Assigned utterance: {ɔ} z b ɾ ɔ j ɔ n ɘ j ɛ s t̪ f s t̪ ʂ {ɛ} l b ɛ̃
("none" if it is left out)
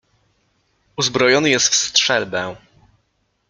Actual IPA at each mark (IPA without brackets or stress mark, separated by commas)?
u, ɛ